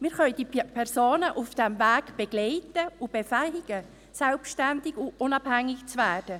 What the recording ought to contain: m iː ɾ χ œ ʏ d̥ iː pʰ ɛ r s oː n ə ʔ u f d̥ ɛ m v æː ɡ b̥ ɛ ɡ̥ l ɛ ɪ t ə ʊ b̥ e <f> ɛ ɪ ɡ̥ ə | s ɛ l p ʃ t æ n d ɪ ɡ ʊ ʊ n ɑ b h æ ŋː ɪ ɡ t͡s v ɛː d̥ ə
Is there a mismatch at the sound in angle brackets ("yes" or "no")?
no